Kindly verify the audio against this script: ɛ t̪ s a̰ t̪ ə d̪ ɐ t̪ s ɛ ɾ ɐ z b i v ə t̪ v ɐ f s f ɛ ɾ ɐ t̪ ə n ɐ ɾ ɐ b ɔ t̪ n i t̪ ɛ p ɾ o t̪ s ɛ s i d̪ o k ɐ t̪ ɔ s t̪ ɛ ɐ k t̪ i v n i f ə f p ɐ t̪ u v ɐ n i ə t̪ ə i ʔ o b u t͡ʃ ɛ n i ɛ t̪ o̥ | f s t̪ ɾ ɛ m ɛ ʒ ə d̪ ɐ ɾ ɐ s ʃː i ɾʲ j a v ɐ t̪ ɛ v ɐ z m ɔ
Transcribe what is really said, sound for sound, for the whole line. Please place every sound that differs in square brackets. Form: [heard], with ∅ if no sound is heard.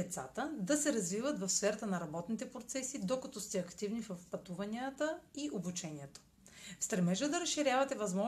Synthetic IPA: ɛ t̪ s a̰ t̪ ə d̪ ɐ [∅] s ɛ ɾ ɐ z [v] i v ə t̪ v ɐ f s f ɛ ɾ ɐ t̪ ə n ɐ ɾ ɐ b ɔ t̪ n i t̪ ɛ p ɾ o t̪ s ɛ s i d̪ o k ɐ t̪ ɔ s t̪ ɛ ɐ k t̪ i v n i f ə f p ɐ t̪ u v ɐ n i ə t̪ ə i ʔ o b u t͡ʃ ɛ n i ɛ t̪ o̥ | f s t̪ ɾ ɛ m ɛ ʒ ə d̪ ɐ ɾ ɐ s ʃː i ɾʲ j a v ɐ t̪ ɛ v ɐ z m ɔ